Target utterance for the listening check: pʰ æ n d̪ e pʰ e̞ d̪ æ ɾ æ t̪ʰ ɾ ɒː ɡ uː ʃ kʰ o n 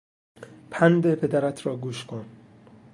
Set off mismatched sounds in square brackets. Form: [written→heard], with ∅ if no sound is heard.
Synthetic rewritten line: pʰ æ n d̪ e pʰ e̞ d̪ æ ɾ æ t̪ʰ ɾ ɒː ɡ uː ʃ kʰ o n